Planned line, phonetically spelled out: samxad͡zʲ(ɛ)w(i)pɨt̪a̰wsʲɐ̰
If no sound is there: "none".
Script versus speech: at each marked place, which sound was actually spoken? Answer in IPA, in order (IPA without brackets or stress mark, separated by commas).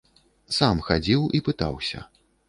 i, i